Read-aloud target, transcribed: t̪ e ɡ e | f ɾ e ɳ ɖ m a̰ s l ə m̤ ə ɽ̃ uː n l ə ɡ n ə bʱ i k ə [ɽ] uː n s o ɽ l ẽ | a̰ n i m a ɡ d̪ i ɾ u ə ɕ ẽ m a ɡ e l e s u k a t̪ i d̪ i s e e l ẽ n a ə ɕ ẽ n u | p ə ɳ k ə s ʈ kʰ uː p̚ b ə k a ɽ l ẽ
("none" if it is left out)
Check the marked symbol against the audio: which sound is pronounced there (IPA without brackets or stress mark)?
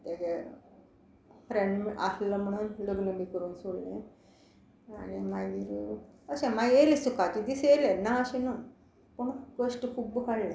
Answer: ɾ